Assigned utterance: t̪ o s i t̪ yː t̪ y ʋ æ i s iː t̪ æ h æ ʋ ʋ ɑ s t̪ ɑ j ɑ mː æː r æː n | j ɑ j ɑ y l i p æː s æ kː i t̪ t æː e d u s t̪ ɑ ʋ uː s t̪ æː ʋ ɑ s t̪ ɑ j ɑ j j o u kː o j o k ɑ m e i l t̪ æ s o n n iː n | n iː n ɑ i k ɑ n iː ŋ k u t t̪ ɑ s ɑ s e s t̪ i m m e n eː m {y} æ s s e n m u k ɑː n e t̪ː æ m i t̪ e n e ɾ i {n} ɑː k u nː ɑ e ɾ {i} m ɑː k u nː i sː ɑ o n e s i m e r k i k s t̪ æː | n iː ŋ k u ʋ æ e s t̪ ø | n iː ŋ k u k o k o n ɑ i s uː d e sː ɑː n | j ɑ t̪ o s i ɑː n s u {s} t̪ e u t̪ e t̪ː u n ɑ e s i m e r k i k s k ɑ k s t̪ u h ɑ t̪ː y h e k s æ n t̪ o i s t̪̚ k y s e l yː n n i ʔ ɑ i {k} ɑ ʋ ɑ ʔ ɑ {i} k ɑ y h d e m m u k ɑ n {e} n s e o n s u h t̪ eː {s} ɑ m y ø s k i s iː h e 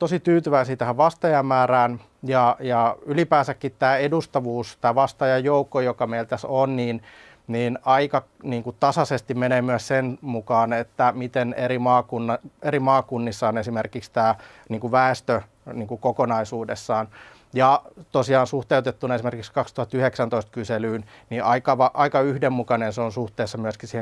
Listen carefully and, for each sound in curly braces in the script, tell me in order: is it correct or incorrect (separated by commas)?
correct, incorrect, correct, incorrect, correct, correct, correct, incorrect